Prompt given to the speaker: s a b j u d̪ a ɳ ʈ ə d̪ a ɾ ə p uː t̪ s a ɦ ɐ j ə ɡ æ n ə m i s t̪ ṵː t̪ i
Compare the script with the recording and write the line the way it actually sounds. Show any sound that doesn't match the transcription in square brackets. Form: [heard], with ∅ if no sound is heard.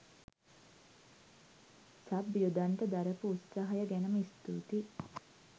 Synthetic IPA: s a b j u d̪ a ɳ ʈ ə d̪ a ɾ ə p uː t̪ s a ɦ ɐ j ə ɡ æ n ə m i s t̪ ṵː t̪ i

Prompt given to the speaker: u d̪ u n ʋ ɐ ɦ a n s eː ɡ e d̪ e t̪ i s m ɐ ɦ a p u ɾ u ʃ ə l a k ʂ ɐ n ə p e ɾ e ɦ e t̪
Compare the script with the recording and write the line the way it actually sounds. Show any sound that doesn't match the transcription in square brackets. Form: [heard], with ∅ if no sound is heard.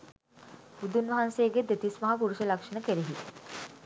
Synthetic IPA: u d̪ u n ʋ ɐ ɦ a n s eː ɡ e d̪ e t̪ i s m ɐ ɦ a p u ɾ u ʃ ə l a k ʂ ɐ n ə [k] e ɾ e ɦ [i] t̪

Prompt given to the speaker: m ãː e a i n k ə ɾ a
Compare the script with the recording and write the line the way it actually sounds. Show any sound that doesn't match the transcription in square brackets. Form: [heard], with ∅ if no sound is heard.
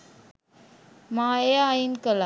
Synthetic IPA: m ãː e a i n k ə [l] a

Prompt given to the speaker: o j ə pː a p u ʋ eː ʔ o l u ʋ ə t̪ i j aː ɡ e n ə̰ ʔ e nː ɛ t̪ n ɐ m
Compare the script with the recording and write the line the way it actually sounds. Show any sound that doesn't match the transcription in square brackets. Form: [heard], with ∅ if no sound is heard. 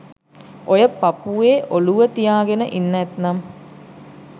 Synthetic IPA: o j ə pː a p u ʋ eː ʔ o l u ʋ ə t̪ i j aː ɡ e n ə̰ ʔ [i] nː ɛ t̪ n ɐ m

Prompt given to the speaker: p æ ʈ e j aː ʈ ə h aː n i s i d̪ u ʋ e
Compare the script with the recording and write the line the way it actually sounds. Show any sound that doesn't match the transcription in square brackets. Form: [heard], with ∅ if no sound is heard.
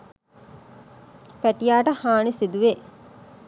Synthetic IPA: p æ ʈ [i] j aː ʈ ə h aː n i s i d̪ u ʋ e

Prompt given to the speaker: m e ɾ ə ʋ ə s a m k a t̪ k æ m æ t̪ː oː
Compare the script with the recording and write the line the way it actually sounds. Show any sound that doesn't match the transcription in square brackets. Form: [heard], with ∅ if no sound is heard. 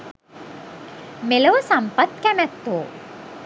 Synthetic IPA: m e [l] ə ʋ ə s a m [p] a t̪ k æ m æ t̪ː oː

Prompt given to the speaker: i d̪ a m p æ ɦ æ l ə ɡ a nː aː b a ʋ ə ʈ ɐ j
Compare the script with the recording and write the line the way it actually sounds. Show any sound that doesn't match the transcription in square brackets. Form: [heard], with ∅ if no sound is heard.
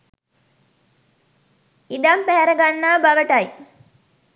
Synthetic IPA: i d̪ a m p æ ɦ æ [ɾ] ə ɡ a nː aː b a ʋ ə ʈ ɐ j

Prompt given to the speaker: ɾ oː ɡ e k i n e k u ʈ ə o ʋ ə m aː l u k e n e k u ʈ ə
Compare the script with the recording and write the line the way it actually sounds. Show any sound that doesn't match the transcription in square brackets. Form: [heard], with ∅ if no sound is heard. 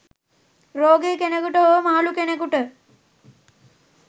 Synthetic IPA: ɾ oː ɡ e k [e] n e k u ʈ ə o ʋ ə m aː l u k e n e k u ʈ ə

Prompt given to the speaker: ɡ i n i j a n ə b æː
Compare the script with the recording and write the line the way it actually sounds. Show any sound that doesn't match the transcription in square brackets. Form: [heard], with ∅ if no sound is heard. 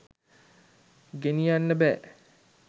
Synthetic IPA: ɡ [e] n i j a [nː] ə b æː

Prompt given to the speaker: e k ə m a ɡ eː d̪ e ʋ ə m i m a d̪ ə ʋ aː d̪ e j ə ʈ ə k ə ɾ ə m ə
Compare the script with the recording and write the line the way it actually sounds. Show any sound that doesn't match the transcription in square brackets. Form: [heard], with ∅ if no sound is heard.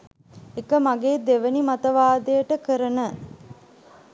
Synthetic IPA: e k ə m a ɡ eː d̪ e ʋ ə [n] i m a [t̪] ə ʋ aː d̪ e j ə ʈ ə k ə ɾ ə [n] ə

